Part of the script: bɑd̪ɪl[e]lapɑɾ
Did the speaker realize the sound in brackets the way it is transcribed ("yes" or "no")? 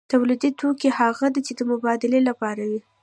yes